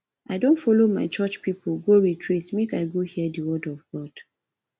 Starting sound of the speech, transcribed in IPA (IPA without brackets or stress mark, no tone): a